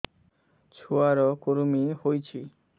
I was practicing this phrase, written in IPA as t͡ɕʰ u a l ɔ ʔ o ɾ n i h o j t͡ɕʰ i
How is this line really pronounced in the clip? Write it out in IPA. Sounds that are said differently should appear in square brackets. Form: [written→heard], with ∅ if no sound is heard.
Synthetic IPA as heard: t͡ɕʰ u a [l→ɾ] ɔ [ʔ→k] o ɾ [n→m] i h o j t͡ɕʰ i